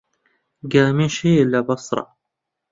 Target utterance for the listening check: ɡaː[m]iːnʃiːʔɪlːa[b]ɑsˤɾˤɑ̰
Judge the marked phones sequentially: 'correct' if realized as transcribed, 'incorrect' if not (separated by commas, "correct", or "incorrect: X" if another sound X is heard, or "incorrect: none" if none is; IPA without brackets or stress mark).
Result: correct, correct